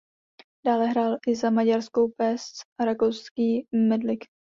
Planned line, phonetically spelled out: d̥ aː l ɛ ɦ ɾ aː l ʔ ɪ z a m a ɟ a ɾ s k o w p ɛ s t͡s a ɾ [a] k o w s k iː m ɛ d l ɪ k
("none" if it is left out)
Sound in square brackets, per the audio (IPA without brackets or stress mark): a